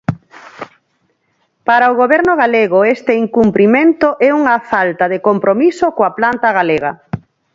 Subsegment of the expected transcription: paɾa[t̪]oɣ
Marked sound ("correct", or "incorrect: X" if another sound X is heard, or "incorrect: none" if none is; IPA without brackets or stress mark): incorrect: none